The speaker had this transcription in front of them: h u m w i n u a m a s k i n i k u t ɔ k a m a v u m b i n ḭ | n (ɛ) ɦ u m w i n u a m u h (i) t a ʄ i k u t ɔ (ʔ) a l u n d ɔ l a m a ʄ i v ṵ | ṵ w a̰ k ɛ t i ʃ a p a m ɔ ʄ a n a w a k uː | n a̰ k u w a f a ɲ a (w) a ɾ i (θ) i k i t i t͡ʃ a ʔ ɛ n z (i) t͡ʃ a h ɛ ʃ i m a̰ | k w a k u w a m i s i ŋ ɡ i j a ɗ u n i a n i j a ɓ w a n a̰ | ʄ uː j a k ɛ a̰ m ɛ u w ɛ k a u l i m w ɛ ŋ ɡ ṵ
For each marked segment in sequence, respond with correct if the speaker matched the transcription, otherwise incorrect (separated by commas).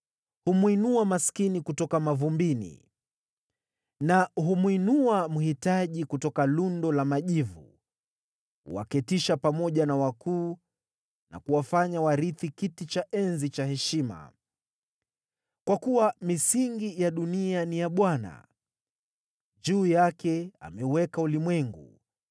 incorrect, correct, incorrect, correct, correct, correct